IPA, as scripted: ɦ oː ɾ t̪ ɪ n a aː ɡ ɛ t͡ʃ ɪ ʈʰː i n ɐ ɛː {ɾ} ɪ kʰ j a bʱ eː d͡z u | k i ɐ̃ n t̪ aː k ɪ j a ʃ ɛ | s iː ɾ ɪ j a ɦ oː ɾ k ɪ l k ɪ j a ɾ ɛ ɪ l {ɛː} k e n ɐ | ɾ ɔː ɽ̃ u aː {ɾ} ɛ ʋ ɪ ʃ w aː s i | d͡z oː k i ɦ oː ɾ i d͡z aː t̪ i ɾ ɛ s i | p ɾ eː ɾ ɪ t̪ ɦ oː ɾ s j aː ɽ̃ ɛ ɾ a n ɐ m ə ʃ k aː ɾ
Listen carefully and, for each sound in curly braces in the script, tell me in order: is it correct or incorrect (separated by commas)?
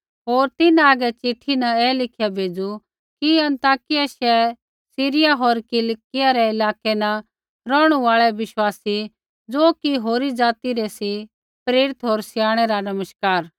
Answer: incorrect, incorrect, incorrect